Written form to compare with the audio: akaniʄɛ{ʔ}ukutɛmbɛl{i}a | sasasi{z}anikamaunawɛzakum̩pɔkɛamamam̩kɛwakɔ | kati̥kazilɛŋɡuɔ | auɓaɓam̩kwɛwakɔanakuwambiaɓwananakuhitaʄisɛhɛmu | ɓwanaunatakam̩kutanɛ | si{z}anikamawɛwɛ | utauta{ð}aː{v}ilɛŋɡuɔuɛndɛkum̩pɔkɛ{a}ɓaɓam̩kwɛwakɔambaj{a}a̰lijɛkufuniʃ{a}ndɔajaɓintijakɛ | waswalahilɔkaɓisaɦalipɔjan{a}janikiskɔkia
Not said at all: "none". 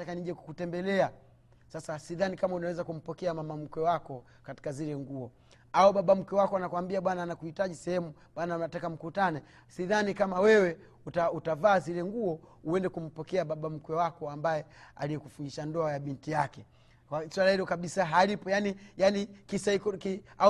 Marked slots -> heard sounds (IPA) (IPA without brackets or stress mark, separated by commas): k, ɛ, ð, ð, v, z, a, ɛ, a, i